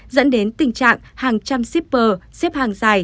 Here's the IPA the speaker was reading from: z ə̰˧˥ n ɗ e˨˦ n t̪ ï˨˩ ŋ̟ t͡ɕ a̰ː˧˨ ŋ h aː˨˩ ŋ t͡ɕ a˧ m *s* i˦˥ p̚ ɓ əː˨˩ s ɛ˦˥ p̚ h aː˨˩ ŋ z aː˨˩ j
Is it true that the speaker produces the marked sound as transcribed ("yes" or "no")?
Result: yes